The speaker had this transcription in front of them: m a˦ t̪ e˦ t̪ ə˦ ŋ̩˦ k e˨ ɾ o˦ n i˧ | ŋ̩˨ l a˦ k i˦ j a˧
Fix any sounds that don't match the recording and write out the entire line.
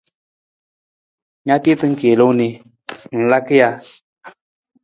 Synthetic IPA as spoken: ɲ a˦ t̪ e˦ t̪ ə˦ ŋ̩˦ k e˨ l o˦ n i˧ | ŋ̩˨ l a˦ k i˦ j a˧